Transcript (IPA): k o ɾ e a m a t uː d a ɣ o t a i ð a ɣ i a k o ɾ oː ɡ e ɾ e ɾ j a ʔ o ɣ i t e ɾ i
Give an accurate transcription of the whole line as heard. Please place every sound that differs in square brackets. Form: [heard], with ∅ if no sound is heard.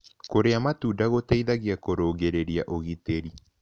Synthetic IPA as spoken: k o ɾ e a m a t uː d a ɣ o t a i ð a ɣ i a k o ɾ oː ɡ e ɾ e ɾ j a ʔ o ɣ i t e ɾ i